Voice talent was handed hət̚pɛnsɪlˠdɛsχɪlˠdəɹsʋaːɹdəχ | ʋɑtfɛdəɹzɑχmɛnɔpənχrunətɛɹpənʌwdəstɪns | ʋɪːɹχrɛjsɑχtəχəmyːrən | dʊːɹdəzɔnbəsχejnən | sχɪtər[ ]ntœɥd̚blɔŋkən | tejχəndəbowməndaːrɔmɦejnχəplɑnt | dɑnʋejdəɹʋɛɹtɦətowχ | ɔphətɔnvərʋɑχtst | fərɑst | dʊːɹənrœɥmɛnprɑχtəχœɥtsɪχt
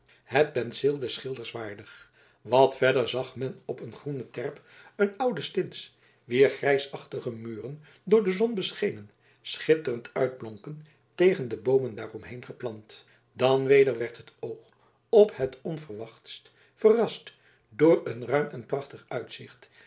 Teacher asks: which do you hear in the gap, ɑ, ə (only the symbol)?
ə